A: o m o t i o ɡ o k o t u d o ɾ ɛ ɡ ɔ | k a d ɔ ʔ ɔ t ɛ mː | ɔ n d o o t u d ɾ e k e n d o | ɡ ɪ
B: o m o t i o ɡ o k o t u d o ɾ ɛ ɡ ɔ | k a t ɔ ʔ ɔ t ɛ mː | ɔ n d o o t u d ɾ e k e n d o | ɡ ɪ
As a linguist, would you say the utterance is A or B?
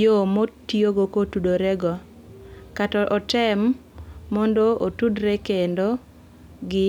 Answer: B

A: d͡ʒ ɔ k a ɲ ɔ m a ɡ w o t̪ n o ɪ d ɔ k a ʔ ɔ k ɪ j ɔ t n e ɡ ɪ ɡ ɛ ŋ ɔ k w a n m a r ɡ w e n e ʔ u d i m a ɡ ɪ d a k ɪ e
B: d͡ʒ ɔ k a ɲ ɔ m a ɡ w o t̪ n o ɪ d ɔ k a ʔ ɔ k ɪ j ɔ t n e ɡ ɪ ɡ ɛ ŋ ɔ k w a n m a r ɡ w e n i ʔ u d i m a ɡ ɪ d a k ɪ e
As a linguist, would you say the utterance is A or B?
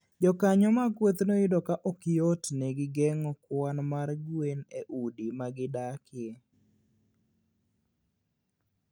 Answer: A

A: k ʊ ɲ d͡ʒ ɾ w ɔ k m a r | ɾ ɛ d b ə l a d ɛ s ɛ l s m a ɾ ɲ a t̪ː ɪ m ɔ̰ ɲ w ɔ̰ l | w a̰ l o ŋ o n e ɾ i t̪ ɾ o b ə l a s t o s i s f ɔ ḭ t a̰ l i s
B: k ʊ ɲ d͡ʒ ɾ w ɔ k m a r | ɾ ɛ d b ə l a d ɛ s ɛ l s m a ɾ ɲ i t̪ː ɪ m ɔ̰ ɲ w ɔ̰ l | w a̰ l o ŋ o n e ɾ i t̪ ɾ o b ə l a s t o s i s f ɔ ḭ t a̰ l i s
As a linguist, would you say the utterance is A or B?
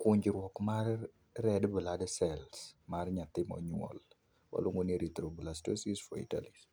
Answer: A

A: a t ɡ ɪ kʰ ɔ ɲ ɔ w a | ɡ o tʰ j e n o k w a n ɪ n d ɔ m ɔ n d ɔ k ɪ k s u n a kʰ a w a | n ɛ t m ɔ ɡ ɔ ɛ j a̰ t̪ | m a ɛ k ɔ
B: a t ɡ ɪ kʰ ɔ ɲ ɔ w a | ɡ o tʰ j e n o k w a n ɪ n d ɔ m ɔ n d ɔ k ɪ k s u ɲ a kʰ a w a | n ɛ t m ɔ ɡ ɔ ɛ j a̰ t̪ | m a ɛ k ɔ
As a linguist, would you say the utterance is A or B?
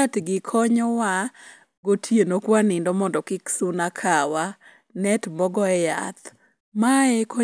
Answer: A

